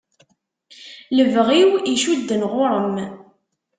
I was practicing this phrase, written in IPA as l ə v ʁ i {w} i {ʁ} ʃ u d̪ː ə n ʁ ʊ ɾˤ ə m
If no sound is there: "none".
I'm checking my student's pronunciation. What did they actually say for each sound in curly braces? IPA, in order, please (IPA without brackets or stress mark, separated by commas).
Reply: w, none